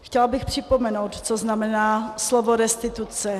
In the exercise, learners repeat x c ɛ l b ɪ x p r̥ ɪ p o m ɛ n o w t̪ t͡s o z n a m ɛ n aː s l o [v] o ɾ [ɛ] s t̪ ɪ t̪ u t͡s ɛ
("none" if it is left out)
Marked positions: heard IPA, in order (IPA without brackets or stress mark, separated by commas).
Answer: v, ɛ